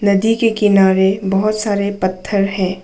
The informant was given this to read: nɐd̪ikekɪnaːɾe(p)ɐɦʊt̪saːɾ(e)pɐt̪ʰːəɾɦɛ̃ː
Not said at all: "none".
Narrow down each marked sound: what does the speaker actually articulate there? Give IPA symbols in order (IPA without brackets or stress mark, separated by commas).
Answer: b, e